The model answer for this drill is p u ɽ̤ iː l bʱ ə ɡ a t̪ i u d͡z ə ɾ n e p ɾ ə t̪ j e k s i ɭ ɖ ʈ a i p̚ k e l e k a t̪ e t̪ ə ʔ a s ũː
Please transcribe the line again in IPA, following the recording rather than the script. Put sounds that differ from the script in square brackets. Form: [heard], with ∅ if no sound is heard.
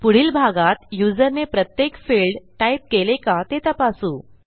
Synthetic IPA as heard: p u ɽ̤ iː l bʱ [a] ɡ a t̪ [j] u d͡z ə ɾ n e p ɾ ə t̪ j e k [f] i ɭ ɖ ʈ a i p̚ k e l e k a t̪ e t̪ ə [p] a s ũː

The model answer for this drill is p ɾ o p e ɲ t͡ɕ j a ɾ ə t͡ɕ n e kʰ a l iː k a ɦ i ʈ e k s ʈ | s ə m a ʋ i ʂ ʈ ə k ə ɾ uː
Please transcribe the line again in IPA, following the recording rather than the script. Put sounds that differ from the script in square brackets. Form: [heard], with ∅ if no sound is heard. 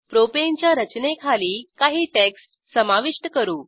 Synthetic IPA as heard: p ɾ o p e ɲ t͡ɕ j a ɾ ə t͡ɕ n e kʰ a l iː k a ɦ [iː] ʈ e k s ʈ | s ə m a ʋ i ʂ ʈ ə k ə ɾ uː

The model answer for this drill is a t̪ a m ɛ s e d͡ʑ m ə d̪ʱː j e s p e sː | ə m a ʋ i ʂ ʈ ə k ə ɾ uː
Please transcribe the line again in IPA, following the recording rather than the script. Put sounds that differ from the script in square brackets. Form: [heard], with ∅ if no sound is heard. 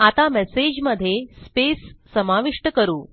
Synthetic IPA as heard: a t̪ a m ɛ s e d͡ʑ m ə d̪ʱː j e s p e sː | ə m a ʋ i ʂ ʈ ə k ə ɾ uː

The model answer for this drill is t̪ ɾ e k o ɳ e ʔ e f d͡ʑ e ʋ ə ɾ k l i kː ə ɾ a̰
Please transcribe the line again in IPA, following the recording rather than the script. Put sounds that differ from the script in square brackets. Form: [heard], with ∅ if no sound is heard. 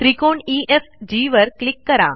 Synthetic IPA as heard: t̪ ɾ [i] k o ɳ [i] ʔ e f d͡ʑ [i] ʋ ə ɾ k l i kː ə ɾ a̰

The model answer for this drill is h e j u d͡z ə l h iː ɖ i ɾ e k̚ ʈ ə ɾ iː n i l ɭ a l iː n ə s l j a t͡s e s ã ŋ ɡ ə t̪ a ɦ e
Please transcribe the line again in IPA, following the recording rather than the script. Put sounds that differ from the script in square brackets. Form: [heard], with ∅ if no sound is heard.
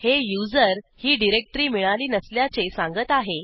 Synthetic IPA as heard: h e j u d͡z ə [ɾ] h iː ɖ i ɾ e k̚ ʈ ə ɾ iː [m] i [∅] ɭ a l iː n ə s l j a t͡s e s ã ŋ ɡ ə t̪ a ɦ e

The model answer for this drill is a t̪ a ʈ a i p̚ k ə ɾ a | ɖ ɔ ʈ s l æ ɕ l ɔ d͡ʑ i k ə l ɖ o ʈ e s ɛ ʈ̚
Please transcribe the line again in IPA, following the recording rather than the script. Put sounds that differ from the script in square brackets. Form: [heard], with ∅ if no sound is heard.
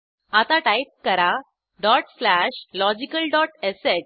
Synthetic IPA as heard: a t̪ a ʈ a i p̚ k ə ɾ a | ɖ ɔ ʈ s l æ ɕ l ɔ d͡ʑ i k ə l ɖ [ɔ] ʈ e s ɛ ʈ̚

